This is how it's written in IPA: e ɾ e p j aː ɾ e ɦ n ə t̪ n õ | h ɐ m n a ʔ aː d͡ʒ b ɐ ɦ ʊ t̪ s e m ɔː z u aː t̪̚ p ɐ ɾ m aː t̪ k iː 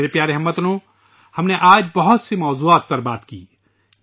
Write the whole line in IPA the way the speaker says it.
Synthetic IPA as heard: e ɾ e p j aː ɾ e ɦ m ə t̪ n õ | h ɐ m n e ʔ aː d͡ʒ b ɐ ɦ ʊ t̪ s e m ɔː z u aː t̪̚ p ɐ ɾ b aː t̪ k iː

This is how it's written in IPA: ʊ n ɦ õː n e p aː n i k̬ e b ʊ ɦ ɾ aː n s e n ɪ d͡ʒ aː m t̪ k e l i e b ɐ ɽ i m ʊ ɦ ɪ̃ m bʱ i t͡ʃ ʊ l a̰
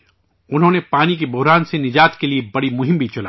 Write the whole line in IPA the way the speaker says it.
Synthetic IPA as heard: ʊ n ɦ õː n e p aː n i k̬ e b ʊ ɦ ɾ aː n s e n ɪ d͡ʒ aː t̪ k e l i e b ɐ ɽ i m ʊ ɦ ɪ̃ m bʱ i t͡ʃ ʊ l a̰

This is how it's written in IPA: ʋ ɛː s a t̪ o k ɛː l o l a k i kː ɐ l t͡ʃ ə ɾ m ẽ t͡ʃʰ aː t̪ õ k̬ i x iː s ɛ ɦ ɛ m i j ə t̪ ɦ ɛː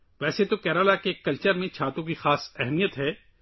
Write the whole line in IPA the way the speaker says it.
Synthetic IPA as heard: ʋ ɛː s e t̪ o k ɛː ɾ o l a k e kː ɐ l t͡ʃ ə ɾ m ẽ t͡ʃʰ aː t̪ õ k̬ i x aː s ɛ ɦ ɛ m i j ə t̪ ɦ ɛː

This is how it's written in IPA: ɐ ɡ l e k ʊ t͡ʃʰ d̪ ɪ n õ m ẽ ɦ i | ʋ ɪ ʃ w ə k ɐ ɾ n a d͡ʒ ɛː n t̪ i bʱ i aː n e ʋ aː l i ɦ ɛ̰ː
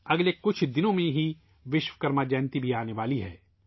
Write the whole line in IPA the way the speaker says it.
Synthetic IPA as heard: ɐ ɡ l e k ʊ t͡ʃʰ d̪ ɪ n õ m ẽ ɦ i | ʋ ɪ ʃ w ə k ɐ ɾ m a d͡ʒ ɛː n t̪ i bʱ i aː n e ʋ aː l i ɦ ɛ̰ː

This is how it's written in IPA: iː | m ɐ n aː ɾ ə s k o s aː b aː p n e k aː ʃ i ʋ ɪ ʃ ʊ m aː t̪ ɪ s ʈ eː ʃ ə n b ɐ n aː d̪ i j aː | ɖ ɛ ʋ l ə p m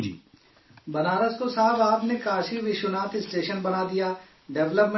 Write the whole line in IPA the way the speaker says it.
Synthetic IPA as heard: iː | b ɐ n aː ɾ ə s k o s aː b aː p n e k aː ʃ i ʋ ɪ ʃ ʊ n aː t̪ ɪ s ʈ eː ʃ ə n b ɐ n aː d̪ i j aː | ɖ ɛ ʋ l ə p m

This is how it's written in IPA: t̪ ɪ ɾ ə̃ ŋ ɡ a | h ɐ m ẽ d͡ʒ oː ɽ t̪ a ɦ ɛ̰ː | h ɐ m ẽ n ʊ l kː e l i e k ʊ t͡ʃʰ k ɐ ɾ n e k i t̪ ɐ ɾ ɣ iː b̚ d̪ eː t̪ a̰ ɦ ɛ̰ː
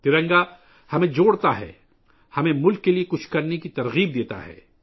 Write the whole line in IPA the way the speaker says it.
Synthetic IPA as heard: t̪ ɪ ɾ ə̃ ŋ ɡ a | h ɐ m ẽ d͡ʒ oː ɽ t̪ a ɦ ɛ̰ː | h ɐ m ẽ m ʊ l kː e l i e k ʊ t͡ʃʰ k ɐ ɾ n e k i t̪ ɐ ɾ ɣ iː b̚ d̪ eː t̪ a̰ ɦ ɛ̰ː

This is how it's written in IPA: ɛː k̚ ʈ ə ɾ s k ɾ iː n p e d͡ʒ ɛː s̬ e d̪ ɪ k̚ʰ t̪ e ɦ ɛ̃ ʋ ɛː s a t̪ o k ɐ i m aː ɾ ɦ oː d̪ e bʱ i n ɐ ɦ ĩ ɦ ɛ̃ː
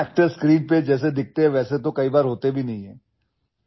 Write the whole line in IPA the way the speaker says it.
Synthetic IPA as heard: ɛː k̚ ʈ ə ɾ s k ɾ iː n p e d͡ʒ ɛː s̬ e d̪ ɪ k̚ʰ t̪ e ɦ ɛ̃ ʋ ɛː s e t̪ o k ɐ i b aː ɾ ɦ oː t̪ e bʱ i n ɐ ɦ ĩ ɦ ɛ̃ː

